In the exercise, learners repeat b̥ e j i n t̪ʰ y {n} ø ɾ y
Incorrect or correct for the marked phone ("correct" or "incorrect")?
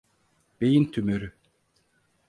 incorrect